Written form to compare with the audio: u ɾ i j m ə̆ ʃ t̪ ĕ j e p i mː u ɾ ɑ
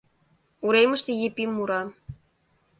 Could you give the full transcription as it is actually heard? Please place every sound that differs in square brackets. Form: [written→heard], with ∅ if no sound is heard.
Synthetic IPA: u ɾ [i→e] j m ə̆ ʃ t̪ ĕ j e p i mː u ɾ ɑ